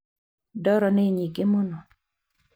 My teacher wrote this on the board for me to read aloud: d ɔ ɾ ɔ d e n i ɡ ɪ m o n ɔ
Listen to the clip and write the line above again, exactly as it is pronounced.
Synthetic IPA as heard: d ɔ ɾ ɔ n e ɲ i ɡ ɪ m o n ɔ